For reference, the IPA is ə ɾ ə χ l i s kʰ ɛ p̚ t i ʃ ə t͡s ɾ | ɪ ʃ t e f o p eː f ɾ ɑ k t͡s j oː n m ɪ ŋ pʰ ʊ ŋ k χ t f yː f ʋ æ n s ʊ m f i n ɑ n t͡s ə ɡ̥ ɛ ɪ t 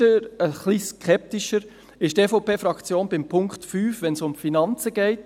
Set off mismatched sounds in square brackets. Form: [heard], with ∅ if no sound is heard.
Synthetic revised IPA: ə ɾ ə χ l i s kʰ ɛ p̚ t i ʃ ə [∅] ɾ | ɪ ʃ t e f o p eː f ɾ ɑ k t͡s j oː n [b] ɪ [m] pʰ ʊ ŋ k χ t f yː f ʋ [ɛ] n s ʊ m f i n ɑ n t͡s ə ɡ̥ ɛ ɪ t